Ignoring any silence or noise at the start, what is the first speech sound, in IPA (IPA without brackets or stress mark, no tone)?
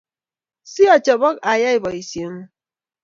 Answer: s